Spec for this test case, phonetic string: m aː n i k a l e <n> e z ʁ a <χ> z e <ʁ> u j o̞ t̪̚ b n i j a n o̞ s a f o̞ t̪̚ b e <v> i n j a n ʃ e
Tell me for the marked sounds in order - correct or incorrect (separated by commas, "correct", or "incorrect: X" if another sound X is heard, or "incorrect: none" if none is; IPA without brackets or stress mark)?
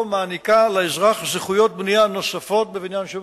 incorrect: none, correct, incorrect: χ, correct